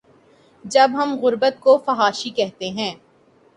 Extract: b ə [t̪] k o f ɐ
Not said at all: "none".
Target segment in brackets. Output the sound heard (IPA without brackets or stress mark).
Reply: t̪